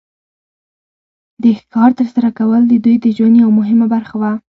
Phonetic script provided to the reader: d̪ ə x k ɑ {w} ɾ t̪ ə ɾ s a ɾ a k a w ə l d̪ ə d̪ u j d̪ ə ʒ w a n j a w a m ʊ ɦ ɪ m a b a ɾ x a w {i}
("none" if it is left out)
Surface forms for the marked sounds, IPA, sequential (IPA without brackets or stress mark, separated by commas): none, a